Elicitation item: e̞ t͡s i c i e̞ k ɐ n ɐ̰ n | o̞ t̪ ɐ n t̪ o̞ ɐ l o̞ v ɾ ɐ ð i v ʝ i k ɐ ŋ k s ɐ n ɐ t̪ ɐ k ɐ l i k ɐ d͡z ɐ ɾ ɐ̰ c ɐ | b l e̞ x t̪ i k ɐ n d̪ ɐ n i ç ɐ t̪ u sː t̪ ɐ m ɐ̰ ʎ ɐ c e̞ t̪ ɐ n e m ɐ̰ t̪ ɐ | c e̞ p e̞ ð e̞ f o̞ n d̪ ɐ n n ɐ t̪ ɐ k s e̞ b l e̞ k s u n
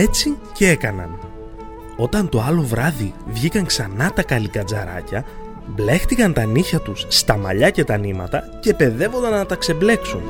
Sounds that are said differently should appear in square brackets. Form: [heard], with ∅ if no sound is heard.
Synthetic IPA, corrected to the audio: e̞ t͡s i c [e] e̞ k ɐ n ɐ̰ n | o̞ t̪ ɐ n t̪ o̞ ɐ l o̞ v ɾ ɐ ð i v ʝ i k ɐ ŋ k s ɐ n ɐ t̪ ɐ k ɐ l i k ɐ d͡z ɐ ɾ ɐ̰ c ɐ | b l e̞ x t̪ i k ɐ n [t̪] ɐ n i ç ɐ t̪ u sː t̪ ɐ m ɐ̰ ʎ ɐ c e̞ t̪ ɐ n [i] m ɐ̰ t̪ ɐ | c e̞ p e̞ ð e̞ [v] o̞ n d̪ ɐ n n ɐ t̪ ɐ k s e̞ b l e̞ k s u n